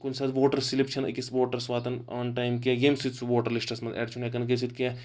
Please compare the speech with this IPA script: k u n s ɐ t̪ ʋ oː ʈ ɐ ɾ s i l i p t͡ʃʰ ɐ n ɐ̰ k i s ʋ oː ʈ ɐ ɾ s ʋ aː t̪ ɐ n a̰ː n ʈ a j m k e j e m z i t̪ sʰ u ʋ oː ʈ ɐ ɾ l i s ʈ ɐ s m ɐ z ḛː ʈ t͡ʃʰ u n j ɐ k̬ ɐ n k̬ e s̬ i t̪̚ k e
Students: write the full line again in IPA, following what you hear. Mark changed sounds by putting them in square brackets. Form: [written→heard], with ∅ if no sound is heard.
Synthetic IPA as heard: k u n s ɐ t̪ ʋ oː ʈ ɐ ɾ s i l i p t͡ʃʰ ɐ n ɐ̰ k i s ʋ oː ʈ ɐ ɾ s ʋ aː t̪ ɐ n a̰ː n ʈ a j m k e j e m [z→s] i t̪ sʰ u ʋ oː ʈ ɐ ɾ l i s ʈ ɐ s m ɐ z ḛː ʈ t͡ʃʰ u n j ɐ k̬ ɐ n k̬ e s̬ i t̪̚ k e